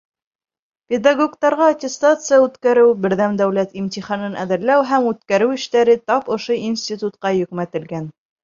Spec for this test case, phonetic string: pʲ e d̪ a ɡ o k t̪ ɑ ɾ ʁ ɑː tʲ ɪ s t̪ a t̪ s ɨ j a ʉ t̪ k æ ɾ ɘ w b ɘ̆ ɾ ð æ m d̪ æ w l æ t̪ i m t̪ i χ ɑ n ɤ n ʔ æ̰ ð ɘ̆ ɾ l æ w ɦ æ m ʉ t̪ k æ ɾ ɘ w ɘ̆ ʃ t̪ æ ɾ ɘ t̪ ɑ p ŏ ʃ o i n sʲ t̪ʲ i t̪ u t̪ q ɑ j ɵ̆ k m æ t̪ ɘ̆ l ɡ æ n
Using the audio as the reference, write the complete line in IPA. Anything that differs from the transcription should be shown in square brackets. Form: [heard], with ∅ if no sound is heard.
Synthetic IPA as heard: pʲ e d̪ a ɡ o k t̪ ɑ ɾ ʁ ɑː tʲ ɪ s t̪ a t̪ s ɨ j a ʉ t̪ k æ ɾ ɘ w b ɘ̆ ɾ ð æ m d̪ æ w l æ t̪ i m t̪ i χ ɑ n ɤ n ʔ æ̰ ð ɘ̆ ɾ l æ w ɦ æ m ʉ t̪ k æ ɾ ɘ w ɘ̆ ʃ t̪ æ ɾ ɘ t̪ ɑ p ŏ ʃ o i n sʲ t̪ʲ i t̪ u t̪ q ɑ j ɵ̆ k m æ t̪ ɘ̆ l ɡ æ n